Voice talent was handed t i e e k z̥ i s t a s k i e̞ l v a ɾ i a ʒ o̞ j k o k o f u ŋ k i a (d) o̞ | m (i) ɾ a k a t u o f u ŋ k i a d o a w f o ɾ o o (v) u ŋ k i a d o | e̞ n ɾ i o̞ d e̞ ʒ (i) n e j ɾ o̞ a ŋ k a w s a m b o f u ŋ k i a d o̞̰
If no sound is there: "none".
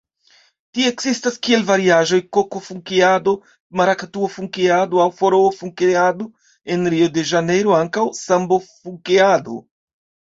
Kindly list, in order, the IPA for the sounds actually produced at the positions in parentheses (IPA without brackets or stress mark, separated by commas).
d, a, f, a